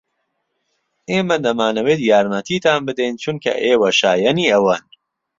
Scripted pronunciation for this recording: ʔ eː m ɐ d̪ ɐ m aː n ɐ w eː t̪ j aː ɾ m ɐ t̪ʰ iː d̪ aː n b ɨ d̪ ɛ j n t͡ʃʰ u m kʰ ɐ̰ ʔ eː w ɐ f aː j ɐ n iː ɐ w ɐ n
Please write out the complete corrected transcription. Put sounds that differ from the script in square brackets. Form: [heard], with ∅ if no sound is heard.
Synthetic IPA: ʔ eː m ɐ d̪ ɐ m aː n ɐ w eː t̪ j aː ɾ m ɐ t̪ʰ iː [t̪] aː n b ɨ d̪ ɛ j n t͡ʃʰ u [n] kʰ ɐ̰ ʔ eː w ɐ [ʃ] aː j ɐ n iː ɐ w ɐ n